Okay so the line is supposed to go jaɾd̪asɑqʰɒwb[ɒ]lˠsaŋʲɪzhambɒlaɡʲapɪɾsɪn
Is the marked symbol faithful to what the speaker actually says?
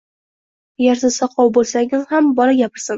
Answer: no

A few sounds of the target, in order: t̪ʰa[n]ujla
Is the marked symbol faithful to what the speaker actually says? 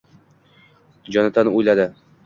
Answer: yes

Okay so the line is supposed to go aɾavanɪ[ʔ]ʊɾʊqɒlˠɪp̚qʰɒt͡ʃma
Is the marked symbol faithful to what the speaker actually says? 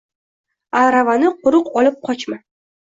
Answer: no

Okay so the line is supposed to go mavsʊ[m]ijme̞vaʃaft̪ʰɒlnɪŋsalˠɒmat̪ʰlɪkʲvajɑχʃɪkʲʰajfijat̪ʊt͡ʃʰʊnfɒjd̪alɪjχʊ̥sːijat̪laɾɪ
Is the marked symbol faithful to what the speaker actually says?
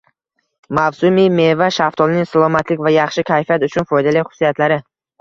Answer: yes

